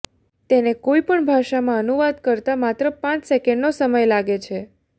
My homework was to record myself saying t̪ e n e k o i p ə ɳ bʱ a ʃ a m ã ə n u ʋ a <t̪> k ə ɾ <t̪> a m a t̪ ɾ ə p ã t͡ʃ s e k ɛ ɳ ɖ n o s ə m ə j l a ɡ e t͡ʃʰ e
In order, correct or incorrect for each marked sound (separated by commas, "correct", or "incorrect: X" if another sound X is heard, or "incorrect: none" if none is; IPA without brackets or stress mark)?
incorrect: d̪, correct